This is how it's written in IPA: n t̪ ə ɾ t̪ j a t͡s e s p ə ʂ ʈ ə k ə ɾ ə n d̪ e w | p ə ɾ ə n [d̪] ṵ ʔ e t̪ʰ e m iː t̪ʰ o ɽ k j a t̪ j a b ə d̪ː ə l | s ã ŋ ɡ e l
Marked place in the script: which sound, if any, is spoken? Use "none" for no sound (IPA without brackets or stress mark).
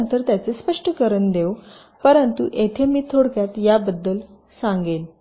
t̪